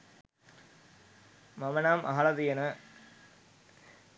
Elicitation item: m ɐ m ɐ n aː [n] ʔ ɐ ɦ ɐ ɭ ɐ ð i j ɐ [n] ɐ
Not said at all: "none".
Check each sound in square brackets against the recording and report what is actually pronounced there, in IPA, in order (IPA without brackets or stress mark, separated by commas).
m, n